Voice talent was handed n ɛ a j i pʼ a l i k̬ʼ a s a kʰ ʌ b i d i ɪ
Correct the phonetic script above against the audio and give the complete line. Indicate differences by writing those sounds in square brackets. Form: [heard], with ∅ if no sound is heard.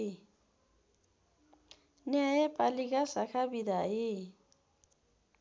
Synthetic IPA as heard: n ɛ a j [ɛ] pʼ a l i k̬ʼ a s a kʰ [a] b i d [a] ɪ